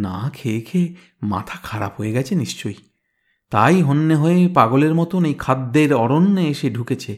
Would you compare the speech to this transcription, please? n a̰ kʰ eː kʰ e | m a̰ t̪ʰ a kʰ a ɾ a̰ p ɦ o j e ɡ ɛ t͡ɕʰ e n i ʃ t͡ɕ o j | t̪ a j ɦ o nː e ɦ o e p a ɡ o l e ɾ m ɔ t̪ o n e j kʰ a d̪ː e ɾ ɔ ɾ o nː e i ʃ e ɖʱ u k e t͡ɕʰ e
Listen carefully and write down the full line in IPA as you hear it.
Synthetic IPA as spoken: n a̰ kʰ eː kʰ e | m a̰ t̪ʰ a kʰ a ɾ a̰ p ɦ o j e ɡ ɛ t͡ɕʰ e n i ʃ t͡ɕ o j | t̪ a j ɦ o nː e ɦ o e p a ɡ o l e ɾ m ɔ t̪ o n e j kʰ a d̪ː e ɾ ɔ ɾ o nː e e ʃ e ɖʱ u k e t͡ɕʰ e